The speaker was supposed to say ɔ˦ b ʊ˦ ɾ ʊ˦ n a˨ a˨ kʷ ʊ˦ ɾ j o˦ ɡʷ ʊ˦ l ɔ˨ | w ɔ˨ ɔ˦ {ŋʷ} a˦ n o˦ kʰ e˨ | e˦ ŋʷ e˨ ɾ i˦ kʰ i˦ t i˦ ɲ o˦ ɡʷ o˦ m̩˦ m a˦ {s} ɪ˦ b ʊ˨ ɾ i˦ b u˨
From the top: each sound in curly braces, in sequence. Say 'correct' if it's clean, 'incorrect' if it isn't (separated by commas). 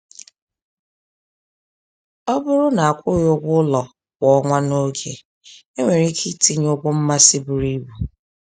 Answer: correct, correct